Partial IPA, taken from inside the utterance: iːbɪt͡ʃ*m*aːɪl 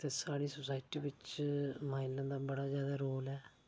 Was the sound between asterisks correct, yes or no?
yes